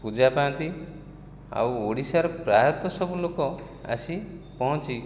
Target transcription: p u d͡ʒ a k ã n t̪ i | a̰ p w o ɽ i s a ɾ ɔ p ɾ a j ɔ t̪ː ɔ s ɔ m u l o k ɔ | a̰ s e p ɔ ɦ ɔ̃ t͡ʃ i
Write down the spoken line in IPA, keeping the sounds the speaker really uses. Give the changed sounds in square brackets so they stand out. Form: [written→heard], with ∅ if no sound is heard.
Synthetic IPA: p u d͡ʒ a [k→p] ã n t̪ i | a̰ [p→∅] w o ɽ i s a ɾ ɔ p ɾ a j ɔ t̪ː ɔ s ɔ [m→b] u l o k ɔ | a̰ s [e→i] p ɔ ɦ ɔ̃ t͡ʃ i